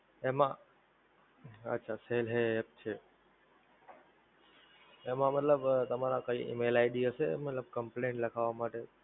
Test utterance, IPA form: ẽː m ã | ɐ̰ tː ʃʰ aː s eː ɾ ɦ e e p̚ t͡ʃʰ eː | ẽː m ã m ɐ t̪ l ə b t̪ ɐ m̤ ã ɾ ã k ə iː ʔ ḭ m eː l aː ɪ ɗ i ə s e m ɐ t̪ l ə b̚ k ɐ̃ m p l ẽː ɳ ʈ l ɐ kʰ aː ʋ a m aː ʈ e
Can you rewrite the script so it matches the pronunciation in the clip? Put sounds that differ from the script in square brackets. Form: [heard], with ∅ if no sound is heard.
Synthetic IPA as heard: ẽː m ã | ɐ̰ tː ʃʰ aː s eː [l] ɦ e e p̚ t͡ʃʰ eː | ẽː m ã m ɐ t̪ l ə b t̪ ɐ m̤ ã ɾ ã k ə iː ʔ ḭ m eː l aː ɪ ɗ i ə s e m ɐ t̪ l ə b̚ k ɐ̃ m p l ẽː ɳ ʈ l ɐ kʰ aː ʋ a m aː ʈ e